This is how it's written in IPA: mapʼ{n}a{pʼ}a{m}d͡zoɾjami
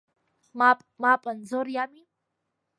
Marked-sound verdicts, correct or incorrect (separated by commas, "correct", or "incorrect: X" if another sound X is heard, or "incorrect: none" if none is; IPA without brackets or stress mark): incorrect: m, correct, incorrect: n